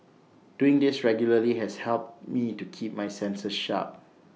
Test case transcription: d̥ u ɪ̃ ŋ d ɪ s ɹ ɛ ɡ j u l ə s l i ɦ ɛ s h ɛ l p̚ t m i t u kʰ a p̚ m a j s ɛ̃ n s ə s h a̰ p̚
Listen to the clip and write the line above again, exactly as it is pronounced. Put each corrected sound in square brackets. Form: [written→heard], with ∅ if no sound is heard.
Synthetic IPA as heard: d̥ u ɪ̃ ŋ d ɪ s ɹ ɛ ɡ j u l ə [s→∅] l i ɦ ɛ s h ɛ l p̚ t m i t u kʰ [a→i] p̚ m a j s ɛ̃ n s ə s [h→ʃ] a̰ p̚